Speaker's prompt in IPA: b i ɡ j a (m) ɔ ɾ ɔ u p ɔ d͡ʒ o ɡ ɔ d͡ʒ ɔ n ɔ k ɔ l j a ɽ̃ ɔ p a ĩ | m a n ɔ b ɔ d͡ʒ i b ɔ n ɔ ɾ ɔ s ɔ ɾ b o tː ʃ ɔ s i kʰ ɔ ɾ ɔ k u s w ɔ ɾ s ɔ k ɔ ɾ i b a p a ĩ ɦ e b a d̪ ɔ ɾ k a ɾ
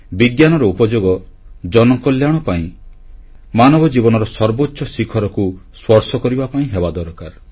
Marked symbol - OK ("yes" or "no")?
no